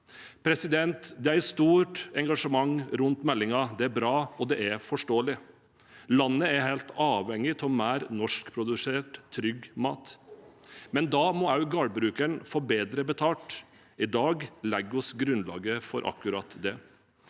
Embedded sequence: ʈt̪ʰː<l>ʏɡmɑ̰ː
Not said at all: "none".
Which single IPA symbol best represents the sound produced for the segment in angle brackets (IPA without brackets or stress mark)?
ɾ